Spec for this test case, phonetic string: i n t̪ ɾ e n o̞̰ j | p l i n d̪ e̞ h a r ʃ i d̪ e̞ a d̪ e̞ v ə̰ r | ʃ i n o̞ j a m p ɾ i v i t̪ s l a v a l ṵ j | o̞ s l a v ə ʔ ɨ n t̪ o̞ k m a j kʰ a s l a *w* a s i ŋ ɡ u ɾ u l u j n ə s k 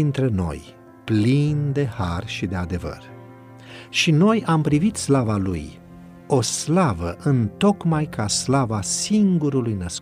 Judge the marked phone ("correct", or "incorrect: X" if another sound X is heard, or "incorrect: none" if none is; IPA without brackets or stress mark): incorrect: v